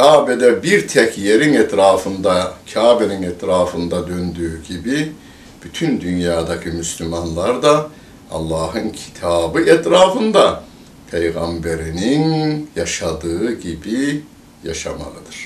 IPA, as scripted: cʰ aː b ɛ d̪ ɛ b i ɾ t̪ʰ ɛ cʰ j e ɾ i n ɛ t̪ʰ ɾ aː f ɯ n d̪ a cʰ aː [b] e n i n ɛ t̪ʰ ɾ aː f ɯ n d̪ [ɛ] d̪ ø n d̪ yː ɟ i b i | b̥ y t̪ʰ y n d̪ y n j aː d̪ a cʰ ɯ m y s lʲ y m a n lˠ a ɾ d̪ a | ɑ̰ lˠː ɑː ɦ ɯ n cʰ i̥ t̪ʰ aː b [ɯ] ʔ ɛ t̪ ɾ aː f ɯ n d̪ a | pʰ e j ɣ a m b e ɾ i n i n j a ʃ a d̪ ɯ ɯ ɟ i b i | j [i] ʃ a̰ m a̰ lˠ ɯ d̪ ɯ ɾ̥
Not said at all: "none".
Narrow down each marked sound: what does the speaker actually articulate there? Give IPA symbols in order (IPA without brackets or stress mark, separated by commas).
b, a, ɯ, a